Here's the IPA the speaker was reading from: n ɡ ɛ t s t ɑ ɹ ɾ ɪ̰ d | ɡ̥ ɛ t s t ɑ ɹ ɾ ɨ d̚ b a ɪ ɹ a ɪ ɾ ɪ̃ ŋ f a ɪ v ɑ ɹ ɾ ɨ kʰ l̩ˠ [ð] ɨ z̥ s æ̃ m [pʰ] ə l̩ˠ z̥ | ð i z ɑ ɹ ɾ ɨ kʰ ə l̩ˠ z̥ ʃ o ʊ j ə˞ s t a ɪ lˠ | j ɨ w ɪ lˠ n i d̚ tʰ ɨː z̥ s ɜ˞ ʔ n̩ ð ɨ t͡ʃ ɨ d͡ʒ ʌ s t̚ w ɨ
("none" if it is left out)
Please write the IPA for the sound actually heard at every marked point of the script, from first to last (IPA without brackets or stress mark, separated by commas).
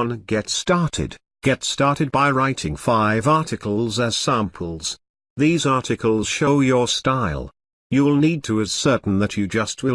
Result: z, pʰ